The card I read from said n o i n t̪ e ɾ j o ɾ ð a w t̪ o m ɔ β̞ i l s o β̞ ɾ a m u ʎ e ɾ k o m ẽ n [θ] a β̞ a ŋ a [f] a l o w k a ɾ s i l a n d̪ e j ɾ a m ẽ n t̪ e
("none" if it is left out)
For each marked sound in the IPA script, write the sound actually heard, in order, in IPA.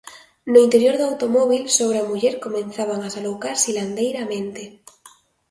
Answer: θ, s

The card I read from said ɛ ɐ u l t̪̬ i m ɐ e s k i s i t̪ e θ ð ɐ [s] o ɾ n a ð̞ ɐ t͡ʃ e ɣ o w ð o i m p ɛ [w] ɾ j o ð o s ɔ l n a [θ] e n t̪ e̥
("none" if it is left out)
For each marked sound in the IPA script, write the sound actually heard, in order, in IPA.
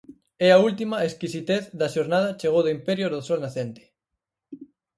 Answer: ʃ, none, θ

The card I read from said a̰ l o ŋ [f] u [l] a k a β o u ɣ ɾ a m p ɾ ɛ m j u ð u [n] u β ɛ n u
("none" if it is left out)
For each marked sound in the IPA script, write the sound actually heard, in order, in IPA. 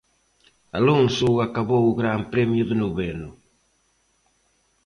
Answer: s, none, n

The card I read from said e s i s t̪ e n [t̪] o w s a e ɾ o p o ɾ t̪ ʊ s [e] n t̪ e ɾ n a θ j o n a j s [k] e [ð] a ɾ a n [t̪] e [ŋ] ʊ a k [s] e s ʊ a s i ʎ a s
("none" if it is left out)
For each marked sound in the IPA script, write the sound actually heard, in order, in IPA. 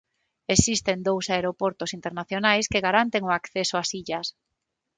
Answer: d̪, i, k, ɣ, t̪, ŋ, θ

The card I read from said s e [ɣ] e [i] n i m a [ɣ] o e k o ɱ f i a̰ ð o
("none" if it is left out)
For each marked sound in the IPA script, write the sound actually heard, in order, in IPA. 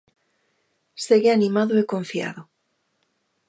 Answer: ɣ, a, ð

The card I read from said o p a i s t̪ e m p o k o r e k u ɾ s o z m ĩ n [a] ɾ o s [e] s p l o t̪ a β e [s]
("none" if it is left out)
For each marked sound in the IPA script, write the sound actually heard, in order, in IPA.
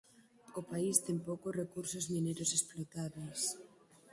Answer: e, e, s

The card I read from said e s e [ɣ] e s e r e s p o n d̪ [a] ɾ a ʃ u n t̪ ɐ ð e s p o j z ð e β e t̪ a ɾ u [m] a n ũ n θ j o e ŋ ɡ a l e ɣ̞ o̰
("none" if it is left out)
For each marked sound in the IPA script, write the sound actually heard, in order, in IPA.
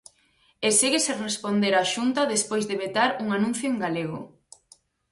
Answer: ɣ, e, ŋ

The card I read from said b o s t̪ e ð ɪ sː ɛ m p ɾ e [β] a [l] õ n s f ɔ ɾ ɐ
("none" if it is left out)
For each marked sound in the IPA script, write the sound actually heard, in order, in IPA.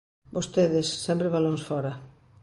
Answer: β, l

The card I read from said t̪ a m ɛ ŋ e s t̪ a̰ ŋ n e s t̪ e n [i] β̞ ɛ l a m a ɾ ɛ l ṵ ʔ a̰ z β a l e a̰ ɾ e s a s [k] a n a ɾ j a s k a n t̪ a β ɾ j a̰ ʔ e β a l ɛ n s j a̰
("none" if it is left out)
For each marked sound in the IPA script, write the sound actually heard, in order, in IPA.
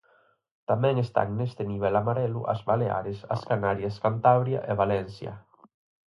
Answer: i, k

